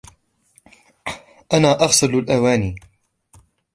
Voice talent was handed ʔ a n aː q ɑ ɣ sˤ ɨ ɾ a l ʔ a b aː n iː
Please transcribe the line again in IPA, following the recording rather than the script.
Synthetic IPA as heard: ʔ a n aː ʔ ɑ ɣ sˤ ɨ l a l ʔ a w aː n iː